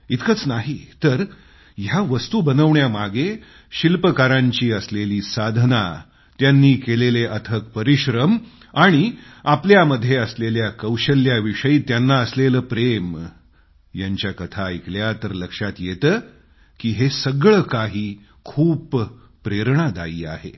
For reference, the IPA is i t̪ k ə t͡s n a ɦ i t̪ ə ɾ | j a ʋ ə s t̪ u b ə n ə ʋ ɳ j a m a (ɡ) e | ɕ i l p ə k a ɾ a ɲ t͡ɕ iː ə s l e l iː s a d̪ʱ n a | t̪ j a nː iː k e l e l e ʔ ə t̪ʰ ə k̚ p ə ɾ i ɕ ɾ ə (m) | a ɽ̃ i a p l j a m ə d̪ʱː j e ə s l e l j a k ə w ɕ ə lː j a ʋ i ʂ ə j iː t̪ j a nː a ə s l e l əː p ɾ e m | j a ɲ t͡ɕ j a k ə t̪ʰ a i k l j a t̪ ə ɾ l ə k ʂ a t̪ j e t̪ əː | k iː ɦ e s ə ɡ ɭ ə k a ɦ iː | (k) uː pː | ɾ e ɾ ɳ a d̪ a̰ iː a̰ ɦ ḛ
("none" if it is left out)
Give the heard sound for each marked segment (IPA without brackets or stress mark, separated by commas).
ɡ, m, kʰ